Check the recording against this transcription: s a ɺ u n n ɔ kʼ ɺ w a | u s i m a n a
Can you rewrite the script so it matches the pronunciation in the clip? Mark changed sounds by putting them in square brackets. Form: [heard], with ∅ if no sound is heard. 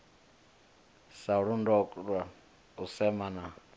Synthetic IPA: s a ɺ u n [d] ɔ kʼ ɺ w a | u s [ɛ] m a n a

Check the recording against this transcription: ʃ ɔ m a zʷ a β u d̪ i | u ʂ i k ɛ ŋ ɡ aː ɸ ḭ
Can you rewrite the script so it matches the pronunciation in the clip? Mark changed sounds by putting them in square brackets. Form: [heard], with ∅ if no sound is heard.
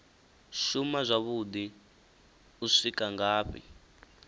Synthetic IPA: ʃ [u] m a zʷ a β u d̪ i | u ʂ i k [a] ŋ ɡ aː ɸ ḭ

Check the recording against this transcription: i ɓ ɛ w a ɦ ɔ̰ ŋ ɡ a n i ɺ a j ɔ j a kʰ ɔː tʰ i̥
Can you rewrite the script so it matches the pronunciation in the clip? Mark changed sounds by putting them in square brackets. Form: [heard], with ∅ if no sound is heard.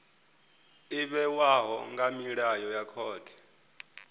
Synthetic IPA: i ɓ ɛ w a ɦ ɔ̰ ŋ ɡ a [m] i ɺ a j ɔ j a kʰ ɔː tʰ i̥

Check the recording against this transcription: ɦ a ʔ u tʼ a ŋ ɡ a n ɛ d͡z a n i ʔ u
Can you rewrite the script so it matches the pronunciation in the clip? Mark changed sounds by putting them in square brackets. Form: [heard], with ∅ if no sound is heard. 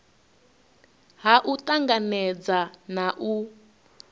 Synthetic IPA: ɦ a ʔ u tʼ a ŋ ɡ a n ɛ d͡z a n [a] ʔ u

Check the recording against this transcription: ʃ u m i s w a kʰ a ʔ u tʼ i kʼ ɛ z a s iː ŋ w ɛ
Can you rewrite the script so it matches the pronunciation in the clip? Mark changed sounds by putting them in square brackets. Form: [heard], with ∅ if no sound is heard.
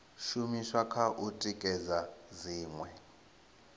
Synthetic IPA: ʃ u m i [ʃ] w a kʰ a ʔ u tʼ i kʼ ɛ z a [z] iː ŋ w ɛ

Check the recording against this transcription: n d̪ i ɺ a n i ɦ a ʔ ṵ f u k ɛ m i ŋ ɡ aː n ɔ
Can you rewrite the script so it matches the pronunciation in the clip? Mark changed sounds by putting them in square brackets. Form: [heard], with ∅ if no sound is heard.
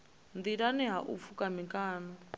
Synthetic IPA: n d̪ i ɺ a n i ɦ a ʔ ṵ f u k [a] m i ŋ [k] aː n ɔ

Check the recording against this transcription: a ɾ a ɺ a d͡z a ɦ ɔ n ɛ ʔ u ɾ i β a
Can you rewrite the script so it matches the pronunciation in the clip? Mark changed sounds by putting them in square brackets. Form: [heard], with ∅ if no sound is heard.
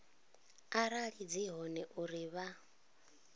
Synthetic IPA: a ɾ a ɺ [i] d͡z [i] ɦ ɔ n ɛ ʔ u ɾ i β a

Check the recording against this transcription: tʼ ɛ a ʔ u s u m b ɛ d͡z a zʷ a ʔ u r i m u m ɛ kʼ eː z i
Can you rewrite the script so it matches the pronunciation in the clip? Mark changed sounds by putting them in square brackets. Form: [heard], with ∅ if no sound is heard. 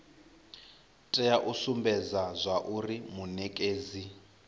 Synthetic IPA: tʼ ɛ a ʔ u s u m b ɛ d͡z a zʷ a ʔ u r i m u [n] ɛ kʼ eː z i

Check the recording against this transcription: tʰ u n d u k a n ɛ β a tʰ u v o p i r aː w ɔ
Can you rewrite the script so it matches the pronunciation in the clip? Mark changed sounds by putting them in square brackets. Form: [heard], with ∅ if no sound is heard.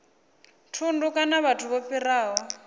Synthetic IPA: tʰ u n d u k a n [a] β a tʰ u [β] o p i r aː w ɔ

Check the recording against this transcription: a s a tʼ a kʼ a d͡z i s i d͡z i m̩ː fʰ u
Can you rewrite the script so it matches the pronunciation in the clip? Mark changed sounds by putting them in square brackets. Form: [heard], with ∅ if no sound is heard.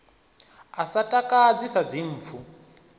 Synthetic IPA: a s a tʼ a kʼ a d͡z i s [a] d͡z i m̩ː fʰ u

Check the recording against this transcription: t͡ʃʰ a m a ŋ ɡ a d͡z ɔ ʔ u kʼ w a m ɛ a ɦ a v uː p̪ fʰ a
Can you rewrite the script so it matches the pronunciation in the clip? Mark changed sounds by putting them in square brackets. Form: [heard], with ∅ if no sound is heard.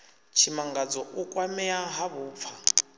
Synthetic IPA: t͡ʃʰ [i] m a ŋ ɡ a d͡z ɔ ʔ u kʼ w a m ɛ a ɦ a [β] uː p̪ fʰ a

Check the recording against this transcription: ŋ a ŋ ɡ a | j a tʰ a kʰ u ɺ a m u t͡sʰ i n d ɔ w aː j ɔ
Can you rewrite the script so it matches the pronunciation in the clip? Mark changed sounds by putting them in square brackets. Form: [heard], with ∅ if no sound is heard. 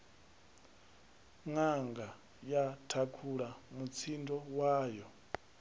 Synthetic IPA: ŋ a ŋ ɡ a | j a tʰ a kʰ u ɺ a m u t͡sʰ i n d ɔ w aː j ɔ

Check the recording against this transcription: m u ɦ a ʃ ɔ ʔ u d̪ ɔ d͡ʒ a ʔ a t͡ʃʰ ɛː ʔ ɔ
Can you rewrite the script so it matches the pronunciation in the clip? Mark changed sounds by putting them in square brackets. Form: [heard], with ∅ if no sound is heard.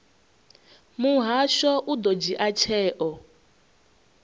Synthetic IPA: m u ɦ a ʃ ɔ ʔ u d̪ ɔ d͡ʒ [i] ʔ a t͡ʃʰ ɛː ʔ ɔ

